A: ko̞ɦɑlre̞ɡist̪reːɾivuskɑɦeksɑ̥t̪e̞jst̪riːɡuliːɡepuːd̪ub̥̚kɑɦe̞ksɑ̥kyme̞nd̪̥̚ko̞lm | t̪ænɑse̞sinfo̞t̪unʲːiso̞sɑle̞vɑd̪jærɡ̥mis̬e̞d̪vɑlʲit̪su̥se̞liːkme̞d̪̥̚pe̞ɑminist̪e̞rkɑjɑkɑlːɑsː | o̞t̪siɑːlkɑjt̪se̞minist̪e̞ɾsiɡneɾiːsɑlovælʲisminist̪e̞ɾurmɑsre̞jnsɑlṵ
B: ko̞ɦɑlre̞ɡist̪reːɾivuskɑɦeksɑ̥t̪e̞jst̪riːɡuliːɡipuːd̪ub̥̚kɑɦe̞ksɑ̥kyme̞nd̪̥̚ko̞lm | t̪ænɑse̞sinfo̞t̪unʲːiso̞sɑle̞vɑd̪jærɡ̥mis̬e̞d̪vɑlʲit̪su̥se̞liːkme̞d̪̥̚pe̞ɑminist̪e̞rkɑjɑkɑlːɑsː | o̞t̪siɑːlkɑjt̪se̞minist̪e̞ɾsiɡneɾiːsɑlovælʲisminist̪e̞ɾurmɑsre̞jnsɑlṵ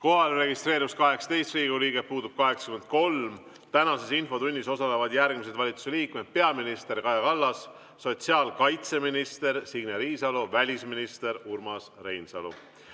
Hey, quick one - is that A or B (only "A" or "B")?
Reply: A